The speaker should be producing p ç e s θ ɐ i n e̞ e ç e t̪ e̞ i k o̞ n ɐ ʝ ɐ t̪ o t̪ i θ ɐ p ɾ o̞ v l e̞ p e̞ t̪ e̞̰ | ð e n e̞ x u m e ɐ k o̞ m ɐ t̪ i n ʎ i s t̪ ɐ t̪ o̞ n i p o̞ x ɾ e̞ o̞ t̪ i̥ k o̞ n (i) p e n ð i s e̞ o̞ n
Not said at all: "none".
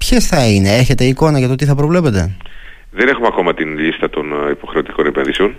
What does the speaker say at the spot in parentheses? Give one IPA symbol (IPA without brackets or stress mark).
e